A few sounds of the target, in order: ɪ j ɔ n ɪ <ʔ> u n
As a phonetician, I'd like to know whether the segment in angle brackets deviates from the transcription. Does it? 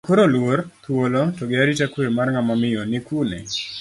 yes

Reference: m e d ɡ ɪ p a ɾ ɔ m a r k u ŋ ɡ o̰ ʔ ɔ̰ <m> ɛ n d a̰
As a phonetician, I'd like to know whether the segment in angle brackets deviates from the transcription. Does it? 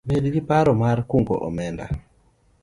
no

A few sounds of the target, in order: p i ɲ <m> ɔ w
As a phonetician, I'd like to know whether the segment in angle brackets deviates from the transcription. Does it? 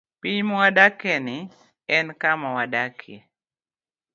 no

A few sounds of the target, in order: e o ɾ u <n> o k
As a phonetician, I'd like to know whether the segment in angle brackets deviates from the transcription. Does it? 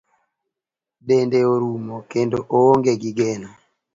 yes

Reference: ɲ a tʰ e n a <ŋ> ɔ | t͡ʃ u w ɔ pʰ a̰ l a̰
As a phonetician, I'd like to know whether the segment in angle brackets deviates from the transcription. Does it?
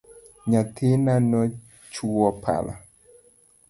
yes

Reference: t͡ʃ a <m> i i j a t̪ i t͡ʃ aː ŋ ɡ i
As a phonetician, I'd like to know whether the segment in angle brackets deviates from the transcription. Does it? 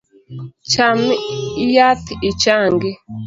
no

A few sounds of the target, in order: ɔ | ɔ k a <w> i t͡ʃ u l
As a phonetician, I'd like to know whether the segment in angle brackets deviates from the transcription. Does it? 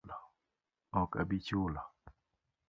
yes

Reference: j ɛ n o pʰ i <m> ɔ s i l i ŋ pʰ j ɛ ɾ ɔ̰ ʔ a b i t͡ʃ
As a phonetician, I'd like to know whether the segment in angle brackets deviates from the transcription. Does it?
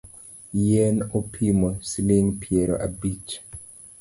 no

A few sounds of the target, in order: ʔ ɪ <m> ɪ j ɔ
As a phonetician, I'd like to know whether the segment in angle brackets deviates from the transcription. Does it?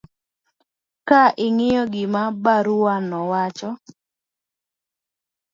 yes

